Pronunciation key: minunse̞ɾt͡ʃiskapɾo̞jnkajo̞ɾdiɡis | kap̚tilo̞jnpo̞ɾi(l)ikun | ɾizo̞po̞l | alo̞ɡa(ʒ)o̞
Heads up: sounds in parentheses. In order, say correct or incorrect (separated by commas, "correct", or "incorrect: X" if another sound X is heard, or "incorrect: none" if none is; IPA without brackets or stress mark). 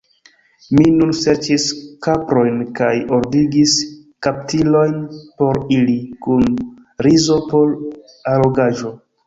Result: correct, correct